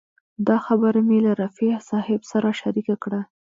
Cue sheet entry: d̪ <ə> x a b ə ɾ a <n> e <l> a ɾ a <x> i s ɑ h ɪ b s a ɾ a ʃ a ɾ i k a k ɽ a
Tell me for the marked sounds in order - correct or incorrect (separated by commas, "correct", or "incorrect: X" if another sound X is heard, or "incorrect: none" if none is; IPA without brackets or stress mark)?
incorrect: ɑ, incorrect: m, correct, incorrect: f